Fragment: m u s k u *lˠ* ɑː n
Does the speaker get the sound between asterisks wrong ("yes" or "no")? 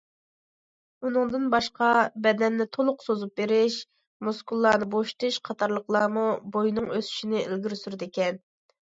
yes